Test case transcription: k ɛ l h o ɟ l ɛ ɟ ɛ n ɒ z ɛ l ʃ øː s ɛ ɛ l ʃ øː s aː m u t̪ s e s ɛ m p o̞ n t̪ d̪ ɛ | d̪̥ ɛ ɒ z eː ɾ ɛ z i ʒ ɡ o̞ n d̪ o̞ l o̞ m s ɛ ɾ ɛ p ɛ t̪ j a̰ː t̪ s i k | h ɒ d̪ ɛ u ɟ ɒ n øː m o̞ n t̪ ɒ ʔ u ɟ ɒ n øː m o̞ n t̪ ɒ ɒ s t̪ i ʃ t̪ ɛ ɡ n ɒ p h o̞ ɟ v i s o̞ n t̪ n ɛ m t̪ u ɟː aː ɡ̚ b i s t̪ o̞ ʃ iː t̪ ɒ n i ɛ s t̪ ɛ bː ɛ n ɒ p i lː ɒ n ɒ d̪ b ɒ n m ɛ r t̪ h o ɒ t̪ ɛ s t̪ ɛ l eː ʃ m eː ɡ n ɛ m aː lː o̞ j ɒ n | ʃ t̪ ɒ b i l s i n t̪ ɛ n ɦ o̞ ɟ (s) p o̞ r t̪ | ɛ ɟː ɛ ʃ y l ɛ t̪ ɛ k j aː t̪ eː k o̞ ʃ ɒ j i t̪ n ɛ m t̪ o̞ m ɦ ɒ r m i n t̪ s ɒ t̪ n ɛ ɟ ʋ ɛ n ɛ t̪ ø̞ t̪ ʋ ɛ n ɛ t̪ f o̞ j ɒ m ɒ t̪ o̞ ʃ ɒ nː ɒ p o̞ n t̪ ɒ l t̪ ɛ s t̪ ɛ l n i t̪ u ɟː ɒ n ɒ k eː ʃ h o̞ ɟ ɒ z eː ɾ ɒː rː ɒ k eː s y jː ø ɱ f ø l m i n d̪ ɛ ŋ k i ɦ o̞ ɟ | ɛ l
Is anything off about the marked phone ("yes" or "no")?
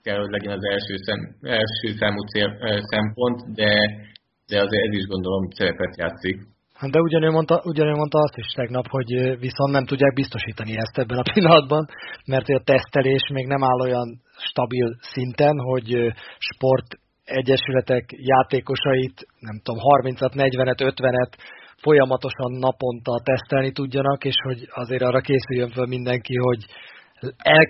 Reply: yes